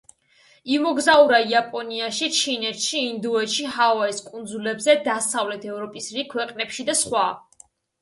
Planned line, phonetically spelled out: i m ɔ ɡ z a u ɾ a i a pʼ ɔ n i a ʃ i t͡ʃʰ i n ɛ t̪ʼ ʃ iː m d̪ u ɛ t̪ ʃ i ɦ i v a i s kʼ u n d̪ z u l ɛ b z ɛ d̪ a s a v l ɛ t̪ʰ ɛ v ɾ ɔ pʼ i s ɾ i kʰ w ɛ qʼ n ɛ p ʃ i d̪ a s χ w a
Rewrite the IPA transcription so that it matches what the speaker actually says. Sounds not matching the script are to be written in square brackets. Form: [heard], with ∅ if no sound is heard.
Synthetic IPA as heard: i m ɔ ɡ z a u ɾ a i a pʼ ɔ n i a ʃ i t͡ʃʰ i n ɛ [t̪] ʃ iː [n] d̪ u ɛ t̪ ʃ i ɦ [a] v a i s kʼ u n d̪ z u l ɛ b z ɛ d̪ a s a v l ɛ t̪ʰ ɛ v ɾ ɔ pʼ i s ɾ i kʰ w ɛ qʼ n ɛ p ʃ i d̪ a s χ w a